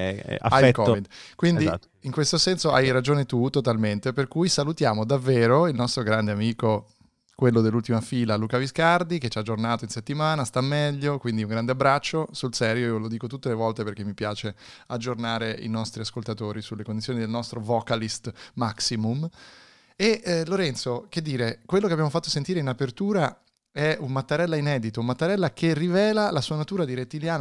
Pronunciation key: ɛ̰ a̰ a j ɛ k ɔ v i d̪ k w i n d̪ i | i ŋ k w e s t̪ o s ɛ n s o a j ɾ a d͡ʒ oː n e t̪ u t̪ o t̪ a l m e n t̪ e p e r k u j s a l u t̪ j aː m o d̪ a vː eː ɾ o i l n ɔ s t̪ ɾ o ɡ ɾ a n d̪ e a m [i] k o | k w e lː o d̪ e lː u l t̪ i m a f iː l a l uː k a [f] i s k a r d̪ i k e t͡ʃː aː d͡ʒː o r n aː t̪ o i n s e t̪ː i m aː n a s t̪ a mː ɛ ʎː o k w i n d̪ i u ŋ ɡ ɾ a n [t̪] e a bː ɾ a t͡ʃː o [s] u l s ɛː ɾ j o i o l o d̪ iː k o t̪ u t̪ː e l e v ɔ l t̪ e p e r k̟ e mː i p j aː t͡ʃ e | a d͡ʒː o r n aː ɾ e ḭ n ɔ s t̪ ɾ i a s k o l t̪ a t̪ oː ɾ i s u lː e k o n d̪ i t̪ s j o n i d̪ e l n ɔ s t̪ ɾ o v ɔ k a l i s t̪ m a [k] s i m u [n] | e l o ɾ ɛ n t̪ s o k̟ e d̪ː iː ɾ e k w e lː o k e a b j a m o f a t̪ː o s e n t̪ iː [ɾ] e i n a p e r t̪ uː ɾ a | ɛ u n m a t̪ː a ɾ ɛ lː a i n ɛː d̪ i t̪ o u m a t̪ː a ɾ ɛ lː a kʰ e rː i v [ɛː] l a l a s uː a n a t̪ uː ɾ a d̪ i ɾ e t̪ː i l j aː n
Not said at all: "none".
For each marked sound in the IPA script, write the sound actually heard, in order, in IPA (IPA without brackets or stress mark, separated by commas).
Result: iː, v, d̪, s, k, m, ɾ, ɛː